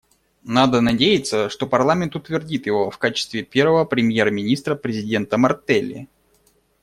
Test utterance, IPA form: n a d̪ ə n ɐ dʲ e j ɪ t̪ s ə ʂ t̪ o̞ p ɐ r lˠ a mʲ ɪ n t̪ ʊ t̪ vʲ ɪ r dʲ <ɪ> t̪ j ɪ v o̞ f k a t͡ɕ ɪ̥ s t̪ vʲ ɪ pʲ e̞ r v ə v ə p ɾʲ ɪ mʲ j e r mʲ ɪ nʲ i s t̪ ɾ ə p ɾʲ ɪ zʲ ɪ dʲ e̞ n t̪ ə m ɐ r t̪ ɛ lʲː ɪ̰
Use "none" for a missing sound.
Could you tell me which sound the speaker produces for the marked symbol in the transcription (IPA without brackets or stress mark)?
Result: i